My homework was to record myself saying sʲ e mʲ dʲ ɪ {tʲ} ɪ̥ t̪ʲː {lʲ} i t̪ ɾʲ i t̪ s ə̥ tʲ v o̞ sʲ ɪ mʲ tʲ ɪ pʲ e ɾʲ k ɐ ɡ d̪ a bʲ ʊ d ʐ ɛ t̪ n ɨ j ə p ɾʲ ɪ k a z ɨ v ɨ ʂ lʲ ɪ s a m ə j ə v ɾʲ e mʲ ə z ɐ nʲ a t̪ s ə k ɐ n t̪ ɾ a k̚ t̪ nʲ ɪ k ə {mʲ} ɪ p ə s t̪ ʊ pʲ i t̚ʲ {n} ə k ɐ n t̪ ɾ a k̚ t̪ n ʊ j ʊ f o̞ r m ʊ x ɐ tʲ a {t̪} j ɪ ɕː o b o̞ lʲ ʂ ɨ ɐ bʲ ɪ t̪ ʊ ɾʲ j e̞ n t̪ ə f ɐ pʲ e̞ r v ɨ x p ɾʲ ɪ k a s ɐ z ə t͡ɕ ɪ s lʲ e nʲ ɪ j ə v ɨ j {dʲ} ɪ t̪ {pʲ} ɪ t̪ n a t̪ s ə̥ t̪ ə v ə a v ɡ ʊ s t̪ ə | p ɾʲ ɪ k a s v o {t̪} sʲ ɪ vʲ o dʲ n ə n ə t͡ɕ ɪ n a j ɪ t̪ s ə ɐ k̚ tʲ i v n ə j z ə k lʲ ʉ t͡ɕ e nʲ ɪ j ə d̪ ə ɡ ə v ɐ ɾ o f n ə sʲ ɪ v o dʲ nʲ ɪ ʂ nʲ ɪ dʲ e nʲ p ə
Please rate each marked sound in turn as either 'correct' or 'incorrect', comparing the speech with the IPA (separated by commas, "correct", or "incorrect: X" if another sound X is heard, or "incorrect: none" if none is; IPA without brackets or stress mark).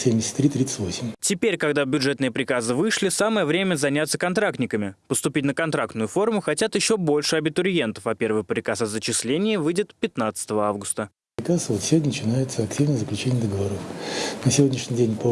incorrect: sʲ, incorrect: ɾʲ, correct, correct, correct, correct, correct, correct